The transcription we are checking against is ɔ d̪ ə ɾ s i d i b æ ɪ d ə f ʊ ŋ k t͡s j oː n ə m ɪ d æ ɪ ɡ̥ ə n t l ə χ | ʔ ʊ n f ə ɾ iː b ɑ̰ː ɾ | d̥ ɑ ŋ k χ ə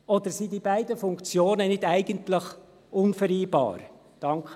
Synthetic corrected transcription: ɔ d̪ ə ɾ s i d i b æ ɪ d ə f ʊ ŋ k t͡s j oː n ə n ɪ d æ ɪ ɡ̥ ə n t l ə χ | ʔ ʊ n f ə ɾ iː b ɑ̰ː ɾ | d̥ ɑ ŋ k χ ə

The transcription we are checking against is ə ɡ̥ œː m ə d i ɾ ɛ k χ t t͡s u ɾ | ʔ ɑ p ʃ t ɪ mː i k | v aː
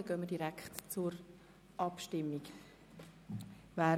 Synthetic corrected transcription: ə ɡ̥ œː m ə d i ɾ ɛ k χ t t͡s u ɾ | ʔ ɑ p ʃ t ɪ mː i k | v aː

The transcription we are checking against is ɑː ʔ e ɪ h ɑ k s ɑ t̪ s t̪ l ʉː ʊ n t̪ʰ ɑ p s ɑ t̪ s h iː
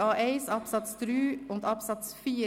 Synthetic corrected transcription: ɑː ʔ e ɪ s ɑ p s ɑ t̪ s t̪ ɾ ʉː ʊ n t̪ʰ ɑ p s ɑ t̪ s f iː

